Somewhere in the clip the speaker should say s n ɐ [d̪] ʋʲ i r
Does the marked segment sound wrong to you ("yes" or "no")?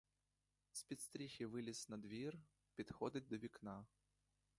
no